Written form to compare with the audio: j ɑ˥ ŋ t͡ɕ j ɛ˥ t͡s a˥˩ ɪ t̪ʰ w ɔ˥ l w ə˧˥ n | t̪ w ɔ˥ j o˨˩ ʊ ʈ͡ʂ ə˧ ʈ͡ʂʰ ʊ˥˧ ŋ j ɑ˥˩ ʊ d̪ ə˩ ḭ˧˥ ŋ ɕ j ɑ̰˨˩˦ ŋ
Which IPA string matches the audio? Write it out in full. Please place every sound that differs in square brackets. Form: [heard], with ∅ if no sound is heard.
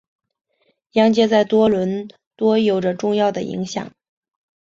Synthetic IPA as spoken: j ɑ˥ ŋ t͡ɕ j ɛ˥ t͡s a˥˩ ɪ [t̪] w ɔ˥ l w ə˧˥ n | t̪ w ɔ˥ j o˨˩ ʊ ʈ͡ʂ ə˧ [ʈ͡ʂ] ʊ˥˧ ŋ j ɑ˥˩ ʊ d̪ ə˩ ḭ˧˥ ŋ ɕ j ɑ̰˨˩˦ ŋ